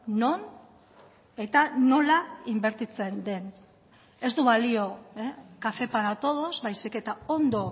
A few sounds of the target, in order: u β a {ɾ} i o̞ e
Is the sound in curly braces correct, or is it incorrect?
incorrect